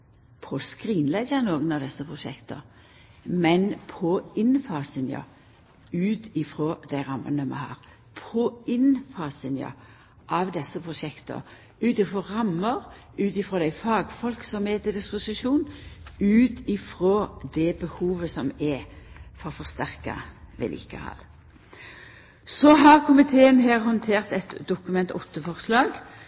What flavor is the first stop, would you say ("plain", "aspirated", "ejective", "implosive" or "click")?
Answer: aspirated